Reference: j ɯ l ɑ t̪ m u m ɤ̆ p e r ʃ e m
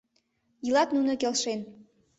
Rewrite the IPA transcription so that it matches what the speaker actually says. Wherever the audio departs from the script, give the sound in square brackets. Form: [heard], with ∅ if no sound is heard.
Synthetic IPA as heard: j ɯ l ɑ t̪ [n] u [n] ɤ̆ [k] e [l] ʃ e [n]